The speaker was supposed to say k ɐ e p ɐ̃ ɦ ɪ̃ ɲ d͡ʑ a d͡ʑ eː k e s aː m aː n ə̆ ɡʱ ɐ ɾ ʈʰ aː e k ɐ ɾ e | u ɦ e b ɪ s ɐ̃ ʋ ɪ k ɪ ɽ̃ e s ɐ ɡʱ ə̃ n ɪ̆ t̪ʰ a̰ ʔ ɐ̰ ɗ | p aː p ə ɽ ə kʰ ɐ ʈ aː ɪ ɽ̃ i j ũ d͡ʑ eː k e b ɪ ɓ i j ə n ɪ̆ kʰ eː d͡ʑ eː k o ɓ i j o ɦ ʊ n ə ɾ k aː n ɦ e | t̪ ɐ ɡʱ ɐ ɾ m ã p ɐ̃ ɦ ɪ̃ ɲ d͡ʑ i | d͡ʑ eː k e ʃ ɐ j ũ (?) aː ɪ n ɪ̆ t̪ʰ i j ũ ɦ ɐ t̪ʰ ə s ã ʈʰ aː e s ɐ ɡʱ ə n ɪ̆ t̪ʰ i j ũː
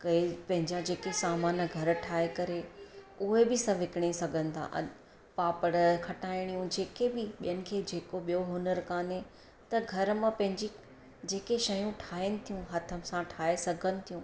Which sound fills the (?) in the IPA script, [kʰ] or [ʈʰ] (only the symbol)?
ʈʰ